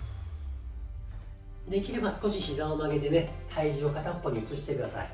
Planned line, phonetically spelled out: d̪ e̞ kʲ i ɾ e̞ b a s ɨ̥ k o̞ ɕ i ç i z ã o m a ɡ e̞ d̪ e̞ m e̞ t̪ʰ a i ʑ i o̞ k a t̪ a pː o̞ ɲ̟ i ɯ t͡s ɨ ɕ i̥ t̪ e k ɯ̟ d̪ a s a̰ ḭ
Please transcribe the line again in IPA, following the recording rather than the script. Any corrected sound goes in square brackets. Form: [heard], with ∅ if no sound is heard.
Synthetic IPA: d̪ e̞ kʲ i ɾ e̞ b a s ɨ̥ k o̞ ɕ i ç i z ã o m a ɡ e̞ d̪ e̞ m e̞ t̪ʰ a i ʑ i o̞ k a t̪ a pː o̞ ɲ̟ i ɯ t͡s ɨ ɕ i̥ t̪ e k ɯ̟ d̪ a s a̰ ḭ